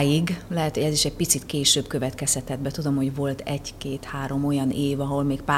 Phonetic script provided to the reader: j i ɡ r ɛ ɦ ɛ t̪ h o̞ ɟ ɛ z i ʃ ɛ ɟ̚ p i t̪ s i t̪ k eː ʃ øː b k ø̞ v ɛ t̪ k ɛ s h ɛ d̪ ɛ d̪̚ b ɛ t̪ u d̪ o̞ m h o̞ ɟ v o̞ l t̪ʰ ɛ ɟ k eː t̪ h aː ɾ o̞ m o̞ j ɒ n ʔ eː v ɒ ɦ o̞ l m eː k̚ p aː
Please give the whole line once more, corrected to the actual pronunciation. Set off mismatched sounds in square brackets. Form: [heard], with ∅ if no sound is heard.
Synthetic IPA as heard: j i ɡ [l] ɛ ɦ ɛ t̪ h o̞ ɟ ɛ z i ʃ ɛ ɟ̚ p i t̪ s i t̪ k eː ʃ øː b k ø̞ v ɛ t̪ k ɛ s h ɛ [t̪] ɛ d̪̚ b ɛ t̪ u d̪ o̞ m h o̞ ɟ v o̞ l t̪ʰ ɛ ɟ k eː t̪ h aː ɾ o̞ m o̞ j ɒ n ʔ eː v ɒ ɦ o̞ l m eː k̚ p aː